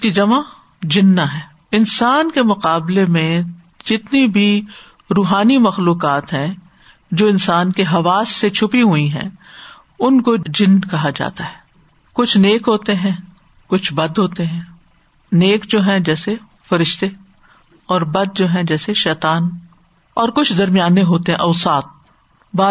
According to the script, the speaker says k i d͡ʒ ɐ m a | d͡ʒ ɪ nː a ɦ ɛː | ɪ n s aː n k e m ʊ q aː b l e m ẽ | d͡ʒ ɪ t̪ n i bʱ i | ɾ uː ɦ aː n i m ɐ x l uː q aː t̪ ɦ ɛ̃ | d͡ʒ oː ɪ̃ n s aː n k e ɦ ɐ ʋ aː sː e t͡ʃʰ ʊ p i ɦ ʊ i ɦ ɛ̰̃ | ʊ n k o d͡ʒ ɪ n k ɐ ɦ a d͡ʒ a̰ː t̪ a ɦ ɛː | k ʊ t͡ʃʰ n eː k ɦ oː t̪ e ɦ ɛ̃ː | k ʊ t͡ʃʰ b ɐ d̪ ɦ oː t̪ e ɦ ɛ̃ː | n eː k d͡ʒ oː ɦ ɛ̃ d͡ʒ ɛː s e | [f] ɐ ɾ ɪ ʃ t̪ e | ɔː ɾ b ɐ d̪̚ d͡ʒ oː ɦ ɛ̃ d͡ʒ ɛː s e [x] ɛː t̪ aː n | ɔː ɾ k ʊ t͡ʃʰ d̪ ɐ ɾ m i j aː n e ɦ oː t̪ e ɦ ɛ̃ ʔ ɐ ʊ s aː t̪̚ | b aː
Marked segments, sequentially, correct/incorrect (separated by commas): correct, incorrect